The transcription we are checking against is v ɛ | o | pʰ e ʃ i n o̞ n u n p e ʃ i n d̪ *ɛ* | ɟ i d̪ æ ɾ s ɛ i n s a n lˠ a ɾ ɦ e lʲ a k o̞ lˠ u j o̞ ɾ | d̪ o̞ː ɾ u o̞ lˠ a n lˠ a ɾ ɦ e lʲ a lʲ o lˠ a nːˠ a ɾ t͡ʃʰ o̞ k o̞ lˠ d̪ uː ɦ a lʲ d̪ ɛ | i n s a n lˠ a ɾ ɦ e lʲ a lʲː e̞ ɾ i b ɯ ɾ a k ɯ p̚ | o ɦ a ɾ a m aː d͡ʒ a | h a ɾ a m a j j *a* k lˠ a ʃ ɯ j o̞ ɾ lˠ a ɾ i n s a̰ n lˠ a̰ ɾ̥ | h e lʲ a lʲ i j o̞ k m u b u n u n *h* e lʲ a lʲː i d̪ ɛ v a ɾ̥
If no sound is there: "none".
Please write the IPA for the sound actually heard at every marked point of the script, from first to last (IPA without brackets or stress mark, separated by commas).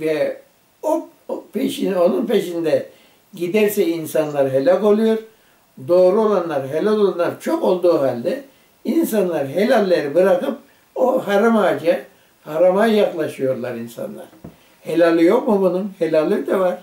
ɛ, a, h